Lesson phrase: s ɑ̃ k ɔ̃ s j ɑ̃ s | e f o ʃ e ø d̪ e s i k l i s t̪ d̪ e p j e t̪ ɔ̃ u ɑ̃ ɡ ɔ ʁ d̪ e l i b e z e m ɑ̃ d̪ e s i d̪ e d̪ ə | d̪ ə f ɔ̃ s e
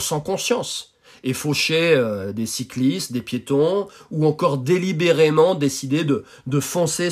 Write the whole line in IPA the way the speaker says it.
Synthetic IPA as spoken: s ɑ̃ k ɔ̃ s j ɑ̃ s | e f o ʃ e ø d̪ e s i k l i s t̪ d̪ e p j e t̪ ɔ̃ u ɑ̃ k ɔ ʁ d̪ e l i b e ʁ e m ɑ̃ d̪ e s i d̪ e d̪ ə | d̪ ə f ɔ̃ s e